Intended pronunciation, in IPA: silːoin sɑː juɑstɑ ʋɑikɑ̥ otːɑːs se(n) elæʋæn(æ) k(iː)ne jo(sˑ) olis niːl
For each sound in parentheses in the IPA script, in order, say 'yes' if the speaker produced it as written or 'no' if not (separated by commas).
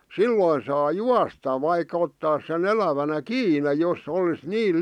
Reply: yes, yes, yes, yes